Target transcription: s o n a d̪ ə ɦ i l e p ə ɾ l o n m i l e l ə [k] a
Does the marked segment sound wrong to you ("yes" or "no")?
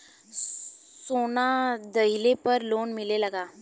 yes